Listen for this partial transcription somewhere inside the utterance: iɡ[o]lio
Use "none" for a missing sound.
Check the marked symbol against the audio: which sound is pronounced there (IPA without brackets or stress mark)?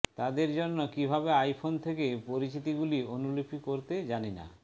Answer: u